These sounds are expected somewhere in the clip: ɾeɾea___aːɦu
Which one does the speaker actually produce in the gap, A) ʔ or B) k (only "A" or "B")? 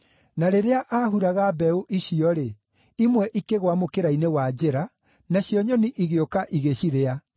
A